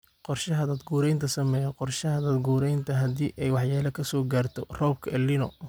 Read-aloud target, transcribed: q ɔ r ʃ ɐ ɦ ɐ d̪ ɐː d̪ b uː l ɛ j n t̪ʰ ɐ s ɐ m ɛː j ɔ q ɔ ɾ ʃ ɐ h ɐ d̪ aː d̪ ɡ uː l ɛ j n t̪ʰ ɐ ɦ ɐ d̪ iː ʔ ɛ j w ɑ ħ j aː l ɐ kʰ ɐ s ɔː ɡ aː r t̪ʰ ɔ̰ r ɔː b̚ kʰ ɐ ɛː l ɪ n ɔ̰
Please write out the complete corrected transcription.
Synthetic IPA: q ɔ r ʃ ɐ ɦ ɐ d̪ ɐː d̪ ɡ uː ɾ ɛ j n t̪ʰ ɐ s ɐ m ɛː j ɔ q ɔ r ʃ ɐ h ɐ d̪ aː d̪ ɡ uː ɾ ɛ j n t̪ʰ ɐ ɦ ɐ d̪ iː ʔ ɛ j w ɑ ħ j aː l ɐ kʰ ɐ s ɔː ɡ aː r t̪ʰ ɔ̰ r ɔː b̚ kʰ ɐ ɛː l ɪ n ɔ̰